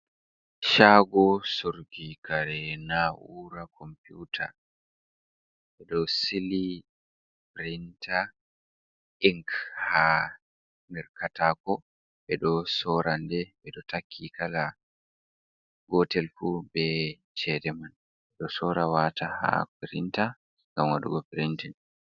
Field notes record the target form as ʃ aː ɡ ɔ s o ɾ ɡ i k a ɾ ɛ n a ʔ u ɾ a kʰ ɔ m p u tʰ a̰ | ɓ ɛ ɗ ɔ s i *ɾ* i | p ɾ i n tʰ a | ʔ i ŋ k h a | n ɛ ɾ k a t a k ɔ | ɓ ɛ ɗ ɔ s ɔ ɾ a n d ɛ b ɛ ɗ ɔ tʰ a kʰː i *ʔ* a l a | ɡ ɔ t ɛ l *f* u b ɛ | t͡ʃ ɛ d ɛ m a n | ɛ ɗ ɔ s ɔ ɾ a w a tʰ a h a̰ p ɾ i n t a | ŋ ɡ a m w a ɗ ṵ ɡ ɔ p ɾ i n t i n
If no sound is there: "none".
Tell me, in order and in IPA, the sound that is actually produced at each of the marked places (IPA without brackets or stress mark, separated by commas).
l, k, f